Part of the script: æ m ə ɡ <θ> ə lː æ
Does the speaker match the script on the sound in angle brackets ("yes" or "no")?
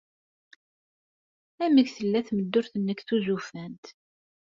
yes